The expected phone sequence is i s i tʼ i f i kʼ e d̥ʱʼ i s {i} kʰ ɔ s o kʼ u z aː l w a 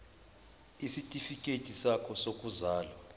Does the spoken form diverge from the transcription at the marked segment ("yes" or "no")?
yes